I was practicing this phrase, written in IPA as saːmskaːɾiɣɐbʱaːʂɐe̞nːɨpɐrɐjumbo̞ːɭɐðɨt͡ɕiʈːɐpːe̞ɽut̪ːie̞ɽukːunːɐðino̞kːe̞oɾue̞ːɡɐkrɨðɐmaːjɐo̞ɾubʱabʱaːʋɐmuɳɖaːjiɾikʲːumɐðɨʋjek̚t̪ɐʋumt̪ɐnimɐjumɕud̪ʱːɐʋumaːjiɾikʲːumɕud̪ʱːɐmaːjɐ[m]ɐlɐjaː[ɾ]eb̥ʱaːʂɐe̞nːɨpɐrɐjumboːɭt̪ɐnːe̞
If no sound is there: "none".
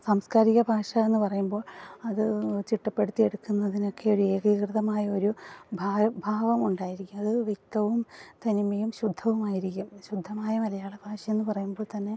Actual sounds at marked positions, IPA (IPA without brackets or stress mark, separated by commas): m, ɭ